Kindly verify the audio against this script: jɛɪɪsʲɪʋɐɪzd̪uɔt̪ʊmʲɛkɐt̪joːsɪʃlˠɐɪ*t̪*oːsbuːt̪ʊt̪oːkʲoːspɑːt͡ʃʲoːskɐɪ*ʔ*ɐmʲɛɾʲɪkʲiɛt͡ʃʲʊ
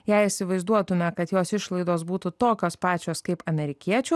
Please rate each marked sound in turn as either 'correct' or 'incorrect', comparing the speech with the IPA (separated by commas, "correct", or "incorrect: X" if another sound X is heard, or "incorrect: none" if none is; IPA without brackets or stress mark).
incorrect: d̪, incorrect: p